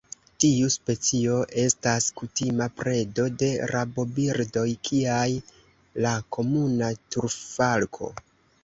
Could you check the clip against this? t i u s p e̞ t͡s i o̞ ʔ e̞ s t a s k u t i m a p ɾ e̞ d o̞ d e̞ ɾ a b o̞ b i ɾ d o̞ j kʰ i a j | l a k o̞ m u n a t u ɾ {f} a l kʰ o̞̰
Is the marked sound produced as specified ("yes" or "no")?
yes